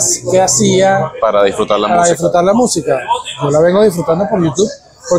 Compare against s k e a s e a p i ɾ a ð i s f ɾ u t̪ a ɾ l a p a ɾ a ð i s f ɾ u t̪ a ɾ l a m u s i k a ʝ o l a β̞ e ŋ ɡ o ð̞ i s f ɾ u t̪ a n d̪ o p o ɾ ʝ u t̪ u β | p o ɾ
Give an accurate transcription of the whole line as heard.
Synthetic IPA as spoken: s k e a s i a p a ɾ a ð i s f ɾ u t̪ a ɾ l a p a ɾ a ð i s f ɾ u t̪ a ɾ l a m u s i k a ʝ o l a β̞ e ŋ ɡ o ð̞ i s f ɾ u t̪ a n d̪ o p o ɾ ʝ u t̪ u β | p o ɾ